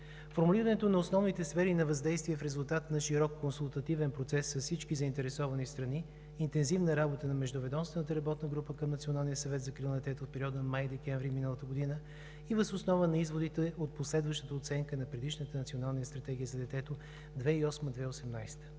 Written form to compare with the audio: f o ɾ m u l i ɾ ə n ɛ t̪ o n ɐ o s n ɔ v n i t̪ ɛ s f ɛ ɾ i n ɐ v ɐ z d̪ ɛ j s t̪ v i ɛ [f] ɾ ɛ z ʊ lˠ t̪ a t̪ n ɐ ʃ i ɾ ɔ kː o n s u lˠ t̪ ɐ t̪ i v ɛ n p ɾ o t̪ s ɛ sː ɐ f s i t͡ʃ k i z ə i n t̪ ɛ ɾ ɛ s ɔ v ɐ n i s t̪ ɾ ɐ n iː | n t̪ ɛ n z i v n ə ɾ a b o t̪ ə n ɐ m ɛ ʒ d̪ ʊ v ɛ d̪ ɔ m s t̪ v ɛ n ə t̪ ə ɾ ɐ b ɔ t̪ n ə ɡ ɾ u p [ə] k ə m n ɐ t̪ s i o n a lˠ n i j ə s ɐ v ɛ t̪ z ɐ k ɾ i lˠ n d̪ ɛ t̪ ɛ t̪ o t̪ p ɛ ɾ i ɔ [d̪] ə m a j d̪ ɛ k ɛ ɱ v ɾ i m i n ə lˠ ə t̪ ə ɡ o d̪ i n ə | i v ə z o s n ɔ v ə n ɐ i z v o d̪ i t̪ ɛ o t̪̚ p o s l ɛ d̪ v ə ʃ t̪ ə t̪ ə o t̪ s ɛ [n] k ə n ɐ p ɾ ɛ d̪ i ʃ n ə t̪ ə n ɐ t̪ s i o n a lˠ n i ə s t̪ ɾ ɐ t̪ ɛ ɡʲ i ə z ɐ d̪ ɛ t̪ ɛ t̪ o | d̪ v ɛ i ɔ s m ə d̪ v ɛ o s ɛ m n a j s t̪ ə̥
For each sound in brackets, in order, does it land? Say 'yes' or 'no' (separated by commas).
yes, yes, yes, no